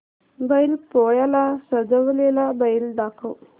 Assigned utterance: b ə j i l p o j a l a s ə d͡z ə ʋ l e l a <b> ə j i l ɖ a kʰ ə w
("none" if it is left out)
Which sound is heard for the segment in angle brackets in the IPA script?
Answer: b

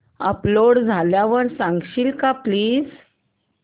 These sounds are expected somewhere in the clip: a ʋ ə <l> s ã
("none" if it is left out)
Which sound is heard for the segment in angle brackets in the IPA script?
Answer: ɾ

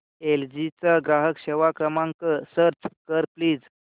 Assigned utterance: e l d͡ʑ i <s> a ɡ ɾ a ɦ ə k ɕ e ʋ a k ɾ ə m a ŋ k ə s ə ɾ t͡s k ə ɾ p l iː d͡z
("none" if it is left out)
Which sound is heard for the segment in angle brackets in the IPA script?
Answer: t͡s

